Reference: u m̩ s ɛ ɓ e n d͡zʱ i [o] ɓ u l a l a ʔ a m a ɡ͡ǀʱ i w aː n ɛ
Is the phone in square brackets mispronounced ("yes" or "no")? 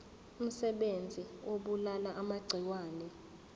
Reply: no